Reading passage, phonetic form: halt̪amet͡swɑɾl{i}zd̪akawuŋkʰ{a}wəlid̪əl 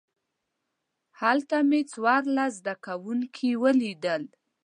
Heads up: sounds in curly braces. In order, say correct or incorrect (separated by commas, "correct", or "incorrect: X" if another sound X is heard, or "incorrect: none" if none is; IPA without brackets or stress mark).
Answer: incorrect: a, incorrect: i